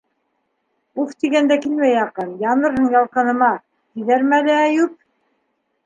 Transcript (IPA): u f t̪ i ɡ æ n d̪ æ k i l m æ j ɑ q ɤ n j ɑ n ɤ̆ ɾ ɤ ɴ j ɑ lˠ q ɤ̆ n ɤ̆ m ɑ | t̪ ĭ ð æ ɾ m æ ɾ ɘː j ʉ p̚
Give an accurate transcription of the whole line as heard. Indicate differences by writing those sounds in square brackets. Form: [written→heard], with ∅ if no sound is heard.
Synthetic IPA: u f t̪ i ɡ æ n d̪ æ k i l m æ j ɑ q ɤ n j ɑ n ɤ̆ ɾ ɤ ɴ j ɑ lˠ q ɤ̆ n ɤ̆ m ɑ | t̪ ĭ ð æ ɾ m æ [ɾ→l] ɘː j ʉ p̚